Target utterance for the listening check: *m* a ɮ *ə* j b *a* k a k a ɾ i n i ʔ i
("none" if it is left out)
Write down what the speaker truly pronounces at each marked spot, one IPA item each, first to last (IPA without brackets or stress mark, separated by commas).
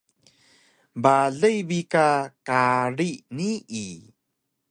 b, ə, i